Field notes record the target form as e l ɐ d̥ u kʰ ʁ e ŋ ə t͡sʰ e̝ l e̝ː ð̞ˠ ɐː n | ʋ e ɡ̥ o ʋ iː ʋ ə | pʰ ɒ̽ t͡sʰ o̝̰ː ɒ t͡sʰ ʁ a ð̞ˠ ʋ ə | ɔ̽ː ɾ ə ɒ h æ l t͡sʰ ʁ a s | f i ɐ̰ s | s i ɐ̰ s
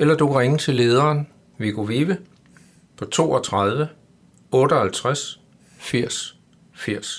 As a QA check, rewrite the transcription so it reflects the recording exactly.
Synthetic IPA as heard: e l ɐ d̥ u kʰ ʁ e ŋ ə t͡sʰ e̝ l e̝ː ð̞ˠ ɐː n | ʋ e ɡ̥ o ʋ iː ʋ ə | pʰ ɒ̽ t͡sʰ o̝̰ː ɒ t͡sʰ ʁ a ð̞ˠ ʋ ə | ɔ̽ː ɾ ə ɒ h æ l t͡sʰ ʁ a s | f i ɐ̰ s | f i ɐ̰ s